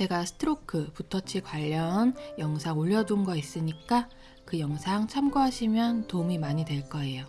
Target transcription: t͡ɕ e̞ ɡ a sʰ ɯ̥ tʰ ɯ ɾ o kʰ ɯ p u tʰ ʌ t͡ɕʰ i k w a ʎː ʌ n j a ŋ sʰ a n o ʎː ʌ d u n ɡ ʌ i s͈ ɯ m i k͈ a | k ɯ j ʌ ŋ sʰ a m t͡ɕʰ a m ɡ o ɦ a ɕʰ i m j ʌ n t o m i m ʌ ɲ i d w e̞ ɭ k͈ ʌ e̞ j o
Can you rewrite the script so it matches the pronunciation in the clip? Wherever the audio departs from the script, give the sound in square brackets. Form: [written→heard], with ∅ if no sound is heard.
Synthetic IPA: t͡ɕ e̞ ɡ a sʰ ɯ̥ tʰ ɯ ɾ o kʰ ɯ p u tʰ ʌ t͡ɕʰ i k w a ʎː ʌ n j [a→ʌ] ŋ sʰ a [n→ŋ] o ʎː ʌ d u n ɡ ʌ i s͈ ɯ [m→ɲ] i k͈ a | k ɯ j ʌ ŋ sʰ a [m→ŋ] t͡ɕʰ a m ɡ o ɦ a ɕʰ i m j ʌ n t o m i m [ʌ→a] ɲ i d w e̞ ɭ k͈ ʌ e̞ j o